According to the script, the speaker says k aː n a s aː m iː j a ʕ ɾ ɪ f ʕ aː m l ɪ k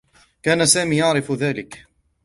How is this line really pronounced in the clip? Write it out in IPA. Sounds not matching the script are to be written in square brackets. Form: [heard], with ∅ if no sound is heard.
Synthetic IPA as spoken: k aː n a s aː m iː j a ʕ ɾ ɪ f [ð] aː [∅] l ɪ k